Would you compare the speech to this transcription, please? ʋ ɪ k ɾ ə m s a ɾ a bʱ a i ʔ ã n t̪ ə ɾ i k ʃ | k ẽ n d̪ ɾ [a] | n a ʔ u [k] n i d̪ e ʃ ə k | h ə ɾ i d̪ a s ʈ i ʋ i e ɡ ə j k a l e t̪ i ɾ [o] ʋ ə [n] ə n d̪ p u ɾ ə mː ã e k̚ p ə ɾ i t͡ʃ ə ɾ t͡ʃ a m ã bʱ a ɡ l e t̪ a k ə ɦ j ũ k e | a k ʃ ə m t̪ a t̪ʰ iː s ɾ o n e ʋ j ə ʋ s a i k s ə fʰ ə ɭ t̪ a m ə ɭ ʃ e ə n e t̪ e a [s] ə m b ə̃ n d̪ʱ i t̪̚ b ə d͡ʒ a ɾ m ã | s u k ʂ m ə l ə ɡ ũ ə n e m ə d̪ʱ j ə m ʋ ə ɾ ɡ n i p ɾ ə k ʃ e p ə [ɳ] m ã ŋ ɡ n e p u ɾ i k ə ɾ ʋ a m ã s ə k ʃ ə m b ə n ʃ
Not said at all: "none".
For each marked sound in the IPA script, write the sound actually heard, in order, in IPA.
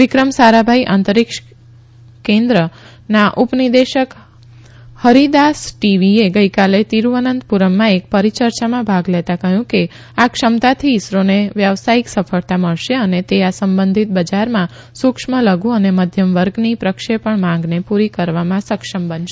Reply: ə, p, u, n, s, ɳ

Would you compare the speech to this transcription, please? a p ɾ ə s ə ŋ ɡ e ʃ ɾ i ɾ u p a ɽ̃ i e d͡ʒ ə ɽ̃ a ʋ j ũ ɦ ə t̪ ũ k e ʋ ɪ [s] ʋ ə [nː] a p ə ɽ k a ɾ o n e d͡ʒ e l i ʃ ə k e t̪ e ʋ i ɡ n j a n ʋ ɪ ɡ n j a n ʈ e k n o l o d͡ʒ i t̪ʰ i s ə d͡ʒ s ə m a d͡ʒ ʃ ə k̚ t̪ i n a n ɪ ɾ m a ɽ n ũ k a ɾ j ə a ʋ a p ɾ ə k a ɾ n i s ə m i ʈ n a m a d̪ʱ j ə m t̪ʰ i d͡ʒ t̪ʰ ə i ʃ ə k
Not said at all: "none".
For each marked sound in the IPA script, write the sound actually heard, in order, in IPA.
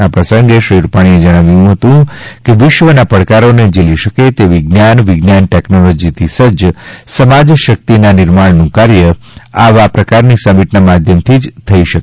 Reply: ʃ, n

